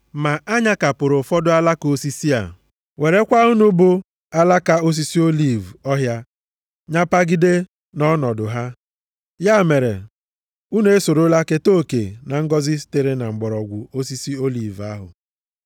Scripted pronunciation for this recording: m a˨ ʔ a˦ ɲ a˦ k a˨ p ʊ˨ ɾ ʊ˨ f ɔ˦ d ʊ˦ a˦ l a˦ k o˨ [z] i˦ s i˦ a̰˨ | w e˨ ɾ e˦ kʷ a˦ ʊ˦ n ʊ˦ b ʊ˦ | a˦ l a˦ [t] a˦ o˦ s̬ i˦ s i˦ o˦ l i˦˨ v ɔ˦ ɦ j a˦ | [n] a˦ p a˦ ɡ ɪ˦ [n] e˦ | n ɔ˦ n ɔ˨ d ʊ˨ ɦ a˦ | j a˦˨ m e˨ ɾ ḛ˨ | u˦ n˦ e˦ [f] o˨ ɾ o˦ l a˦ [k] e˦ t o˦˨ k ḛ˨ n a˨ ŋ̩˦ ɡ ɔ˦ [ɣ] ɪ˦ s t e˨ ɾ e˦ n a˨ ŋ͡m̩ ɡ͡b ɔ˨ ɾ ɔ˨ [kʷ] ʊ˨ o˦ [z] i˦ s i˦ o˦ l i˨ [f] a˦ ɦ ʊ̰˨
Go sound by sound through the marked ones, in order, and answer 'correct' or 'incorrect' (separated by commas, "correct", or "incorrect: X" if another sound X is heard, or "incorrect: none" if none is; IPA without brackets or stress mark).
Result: incorrect: s, incorrect: k, incorrect: ɲ, incorrect: d, incorrect: s, correct, incorrect: z, incorrect: ɡʷ, incorrect: s, incorrect: v